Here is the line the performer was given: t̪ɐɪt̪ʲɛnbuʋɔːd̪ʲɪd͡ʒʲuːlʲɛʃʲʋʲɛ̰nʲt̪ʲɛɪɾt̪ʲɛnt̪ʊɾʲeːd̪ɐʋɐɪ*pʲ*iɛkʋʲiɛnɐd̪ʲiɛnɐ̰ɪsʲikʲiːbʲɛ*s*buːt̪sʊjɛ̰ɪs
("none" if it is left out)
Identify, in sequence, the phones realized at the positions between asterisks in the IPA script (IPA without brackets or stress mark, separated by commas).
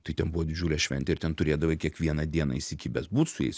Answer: kʲ, s